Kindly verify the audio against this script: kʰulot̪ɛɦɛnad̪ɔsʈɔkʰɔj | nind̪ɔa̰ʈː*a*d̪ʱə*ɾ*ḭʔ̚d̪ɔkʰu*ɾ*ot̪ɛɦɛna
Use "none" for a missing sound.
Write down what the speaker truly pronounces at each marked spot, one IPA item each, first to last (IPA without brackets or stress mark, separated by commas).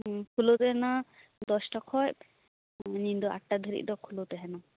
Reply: a, ɾ, l